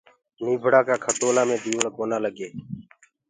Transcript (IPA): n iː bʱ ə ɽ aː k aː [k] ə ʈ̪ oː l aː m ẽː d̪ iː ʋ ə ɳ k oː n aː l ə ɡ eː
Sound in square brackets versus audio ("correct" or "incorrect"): incorrect